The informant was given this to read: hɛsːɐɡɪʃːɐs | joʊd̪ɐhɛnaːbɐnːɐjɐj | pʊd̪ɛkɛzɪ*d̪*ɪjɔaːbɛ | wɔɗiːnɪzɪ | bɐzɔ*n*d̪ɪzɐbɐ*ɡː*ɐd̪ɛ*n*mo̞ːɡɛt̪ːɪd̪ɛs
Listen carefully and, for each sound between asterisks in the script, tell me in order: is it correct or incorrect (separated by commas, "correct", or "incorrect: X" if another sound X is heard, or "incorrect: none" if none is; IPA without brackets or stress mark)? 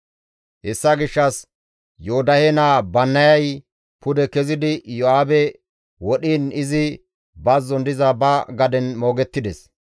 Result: correct, correct, incorrect: ɡ, correct